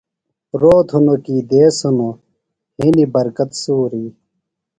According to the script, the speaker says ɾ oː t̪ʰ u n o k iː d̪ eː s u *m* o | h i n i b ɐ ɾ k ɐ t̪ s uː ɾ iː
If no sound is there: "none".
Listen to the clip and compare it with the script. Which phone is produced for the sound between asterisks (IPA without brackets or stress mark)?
n